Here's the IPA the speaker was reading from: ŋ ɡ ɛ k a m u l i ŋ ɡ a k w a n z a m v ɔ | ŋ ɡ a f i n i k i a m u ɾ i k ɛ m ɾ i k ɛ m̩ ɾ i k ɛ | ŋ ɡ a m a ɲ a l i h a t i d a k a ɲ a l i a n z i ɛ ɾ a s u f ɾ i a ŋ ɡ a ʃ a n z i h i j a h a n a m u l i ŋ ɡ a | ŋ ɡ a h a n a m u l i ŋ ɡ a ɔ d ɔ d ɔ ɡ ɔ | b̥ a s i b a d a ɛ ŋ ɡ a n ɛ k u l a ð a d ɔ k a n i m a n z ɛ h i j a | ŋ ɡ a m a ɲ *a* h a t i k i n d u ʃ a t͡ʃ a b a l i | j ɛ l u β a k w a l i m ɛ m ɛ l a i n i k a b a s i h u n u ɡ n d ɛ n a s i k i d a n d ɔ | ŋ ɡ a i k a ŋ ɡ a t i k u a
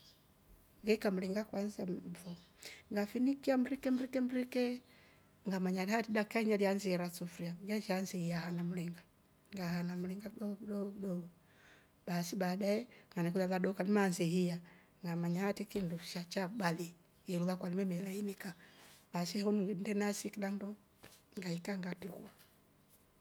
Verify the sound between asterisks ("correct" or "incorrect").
correct